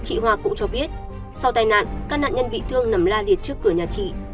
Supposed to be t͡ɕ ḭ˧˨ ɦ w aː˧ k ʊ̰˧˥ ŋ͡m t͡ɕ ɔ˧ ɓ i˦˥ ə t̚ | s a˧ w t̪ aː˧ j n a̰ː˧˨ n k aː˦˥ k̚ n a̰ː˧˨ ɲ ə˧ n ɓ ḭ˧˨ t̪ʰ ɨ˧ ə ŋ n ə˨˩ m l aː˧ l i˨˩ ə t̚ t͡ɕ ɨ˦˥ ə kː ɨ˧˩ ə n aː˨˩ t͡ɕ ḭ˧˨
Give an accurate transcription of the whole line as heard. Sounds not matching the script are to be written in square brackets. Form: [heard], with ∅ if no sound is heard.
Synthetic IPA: t͡ɕ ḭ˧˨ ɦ w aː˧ k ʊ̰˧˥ ŋ͡m t͡ɕ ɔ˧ ɓ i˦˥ ə t̚ | s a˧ w t̪ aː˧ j n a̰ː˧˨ n k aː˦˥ k̚ n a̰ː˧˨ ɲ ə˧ n ɓ ḭ˧˨ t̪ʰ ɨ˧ ə ŋ n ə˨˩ m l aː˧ l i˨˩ ə t̚ t͡ɕ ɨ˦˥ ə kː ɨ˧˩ ə [ɲ] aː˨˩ t͡ɕ ḭ˧˨